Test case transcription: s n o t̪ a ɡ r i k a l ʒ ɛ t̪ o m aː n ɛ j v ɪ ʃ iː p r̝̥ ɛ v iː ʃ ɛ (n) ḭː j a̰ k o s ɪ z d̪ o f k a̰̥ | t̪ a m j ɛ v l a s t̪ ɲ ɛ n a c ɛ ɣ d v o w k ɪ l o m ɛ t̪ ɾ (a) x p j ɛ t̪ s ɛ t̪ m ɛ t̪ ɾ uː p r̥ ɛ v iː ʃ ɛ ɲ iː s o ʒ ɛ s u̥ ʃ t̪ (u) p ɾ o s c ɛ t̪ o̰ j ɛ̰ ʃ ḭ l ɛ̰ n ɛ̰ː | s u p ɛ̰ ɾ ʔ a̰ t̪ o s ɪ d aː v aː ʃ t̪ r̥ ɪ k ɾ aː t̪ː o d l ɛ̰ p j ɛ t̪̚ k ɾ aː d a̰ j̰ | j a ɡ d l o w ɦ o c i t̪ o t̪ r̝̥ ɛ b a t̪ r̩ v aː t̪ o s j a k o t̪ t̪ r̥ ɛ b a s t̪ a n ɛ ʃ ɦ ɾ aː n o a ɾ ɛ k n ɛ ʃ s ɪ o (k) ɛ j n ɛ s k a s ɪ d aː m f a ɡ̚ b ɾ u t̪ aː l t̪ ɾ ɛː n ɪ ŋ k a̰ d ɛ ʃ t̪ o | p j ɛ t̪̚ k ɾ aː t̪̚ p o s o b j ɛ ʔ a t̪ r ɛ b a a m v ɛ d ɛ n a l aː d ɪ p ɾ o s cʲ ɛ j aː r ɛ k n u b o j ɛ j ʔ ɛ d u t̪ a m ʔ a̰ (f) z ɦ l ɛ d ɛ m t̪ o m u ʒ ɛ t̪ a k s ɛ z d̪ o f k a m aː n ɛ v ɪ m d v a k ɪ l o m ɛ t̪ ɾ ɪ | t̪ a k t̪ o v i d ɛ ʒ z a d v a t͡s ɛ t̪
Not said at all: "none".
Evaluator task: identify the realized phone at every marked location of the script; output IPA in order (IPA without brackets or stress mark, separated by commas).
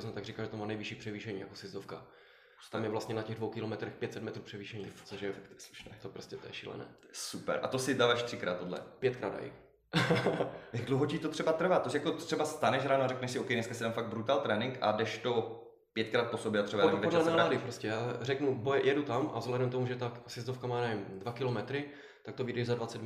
ɲ, ɛ, o, k, v